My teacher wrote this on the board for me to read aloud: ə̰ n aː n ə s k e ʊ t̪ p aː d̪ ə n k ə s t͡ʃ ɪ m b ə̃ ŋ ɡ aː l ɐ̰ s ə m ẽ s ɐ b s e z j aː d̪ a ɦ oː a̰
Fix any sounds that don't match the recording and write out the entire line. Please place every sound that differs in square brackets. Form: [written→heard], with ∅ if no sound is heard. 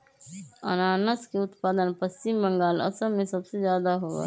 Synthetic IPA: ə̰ n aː n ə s k e ʊ t̪ p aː d̪ ə n [k→p] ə s t͡ʃ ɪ m b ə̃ ŋ ɡ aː l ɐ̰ s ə m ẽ s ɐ b s e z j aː d̪ a ɦ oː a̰